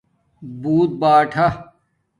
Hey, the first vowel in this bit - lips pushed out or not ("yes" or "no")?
yes